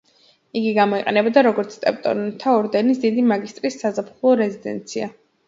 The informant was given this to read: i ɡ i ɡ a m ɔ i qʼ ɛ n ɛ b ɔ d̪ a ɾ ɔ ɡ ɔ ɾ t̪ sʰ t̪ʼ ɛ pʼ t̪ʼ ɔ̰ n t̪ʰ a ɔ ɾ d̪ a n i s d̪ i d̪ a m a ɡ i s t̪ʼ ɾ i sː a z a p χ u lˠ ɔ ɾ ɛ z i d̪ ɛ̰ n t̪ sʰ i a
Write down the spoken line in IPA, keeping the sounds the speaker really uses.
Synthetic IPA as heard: i ɡ i ɡ a m ɔ i qʼ ɛ n ɛ b ɔ d̪ a ɾ ɔ ɡ ɔ ɾ t̪ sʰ t̪ʼ ɛ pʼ t̪ʼ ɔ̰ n t̪ʰ a ɔ ɾ d̪ ɛ n i s d̪ i d̪ i m a ɡ i s t̪ʼ ɾ i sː a z a p χ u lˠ ɔ ɾ ɛ z i d̪ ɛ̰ n t̪ sʰ i a